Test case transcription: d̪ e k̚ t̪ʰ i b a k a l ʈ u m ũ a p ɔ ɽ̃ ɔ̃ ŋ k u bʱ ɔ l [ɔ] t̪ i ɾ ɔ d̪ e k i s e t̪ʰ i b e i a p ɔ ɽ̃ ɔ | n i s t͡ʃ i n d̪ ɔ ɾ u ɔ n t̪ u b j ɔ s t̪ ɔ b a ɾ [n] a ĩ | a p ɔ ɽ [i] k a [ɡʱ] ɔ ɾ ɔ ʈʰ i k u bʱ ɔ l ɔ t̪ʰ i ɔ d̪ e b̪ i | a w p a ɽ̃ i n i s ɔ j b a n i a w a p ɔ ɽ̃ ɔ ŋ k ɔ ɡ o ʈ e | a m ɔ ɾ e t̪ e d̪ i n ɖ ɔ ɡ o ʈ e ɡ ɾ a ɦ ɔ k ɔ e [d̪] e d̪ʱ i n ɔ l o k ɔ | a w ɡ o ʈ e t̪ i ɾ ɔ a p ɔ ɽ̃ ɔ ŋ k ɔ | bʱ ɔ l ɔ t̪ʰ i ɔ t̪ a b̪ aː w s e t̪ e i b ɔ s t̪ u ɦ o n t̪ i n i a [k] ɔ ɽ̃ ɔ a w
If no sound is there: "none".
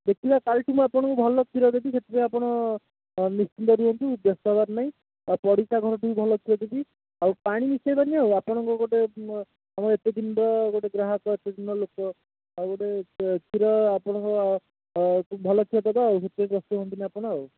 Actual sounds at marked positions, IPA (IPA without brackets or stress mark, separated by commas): ɔ, n, i, ɡʱ, t̪, p